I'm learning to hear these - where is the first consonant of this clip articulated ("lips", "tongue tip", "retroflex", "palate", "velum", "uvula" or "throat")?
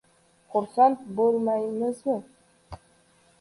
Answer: uvula